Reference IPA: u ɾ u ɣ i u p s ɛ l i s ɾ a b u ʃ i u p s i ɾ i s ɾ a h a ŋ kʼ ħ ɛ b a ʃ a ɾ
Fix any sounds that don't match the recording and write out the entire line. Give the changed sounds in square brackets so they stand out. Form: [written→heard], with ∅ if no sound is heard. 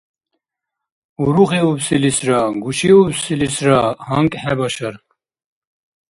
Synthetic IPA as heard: u ɾ u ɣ i u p s [ɛ→i] l i s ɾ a [b→ɡ] u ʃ i u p s i [ɾ→l] i s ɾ a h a ŋ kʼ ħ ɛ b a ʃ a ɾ